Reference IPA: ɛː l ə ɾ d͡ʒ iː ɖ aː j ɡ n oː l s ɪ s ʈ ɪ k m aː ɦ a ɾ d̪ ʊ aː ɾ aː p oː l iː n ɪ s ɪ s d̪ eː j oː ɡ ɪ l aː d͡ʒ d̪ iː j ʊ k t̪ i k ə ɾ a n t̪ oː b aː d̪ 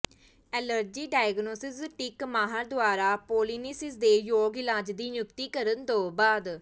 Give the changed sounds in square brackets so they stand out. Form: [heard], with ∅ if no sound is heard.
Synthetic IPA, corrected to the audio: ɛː l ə ɾ d͡ʒ iː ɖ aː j ɡ n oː [∅] s ɪ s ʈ ɪ k m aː ɦ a ɾ d̪ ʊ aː ɾ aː p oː l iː n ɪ s ɪ s d̪ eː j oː ɡ ɪ l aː d͡ʒ d̪ iː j ʊ k t̪ [iː] k ə ɾ [ə] n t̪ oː b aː d̪